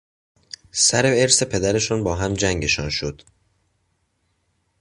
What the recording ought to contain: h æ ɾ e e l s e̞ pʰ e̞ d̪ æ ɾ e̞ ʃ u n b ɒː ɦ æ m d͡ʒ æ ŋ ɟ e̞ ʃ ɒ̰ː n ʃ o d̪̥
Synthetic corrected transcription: s æ ɾ e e ɾ s e̞ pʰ e̞ d̪ æ ɾ e̞ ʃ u n b ɒː ɦ æ m d͡ʒ æ ŋ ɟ e̞ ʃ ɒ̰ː n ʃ o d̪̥